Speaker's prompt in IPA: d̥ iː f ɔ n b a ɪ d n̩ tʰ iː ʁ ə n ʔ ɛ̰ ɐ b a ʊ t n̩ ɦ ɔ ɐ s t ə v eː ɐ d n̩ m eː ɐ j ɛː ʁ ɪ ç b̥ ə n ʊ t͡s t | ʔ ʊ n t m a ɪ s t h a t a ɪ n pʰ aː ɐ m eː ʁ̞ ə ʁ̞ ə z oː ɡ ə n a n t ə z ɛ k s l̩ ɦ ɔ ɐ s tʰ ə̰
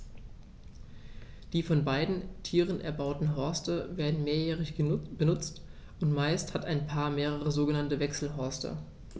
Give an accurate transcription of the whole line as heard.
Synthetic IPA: d̥ iː f ɔ n b a ɪ d n̩ tʰ iː ʁ ə n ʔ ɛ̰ ɐ b a ʊ t n̩ ɦ ɔ ɐ s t ə v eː ɐ d n̩ m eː ɐ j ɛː ʁ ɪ ç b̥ ə n ʊ t͡s t | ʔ ʊ n t m a ɪ s t h a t a ɪ n pʰ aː ɐ m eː ʁ̞ ə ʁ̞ ə z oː ɡ ə n a n t ə v ɛ k s l̩ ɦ ɔ ɐ s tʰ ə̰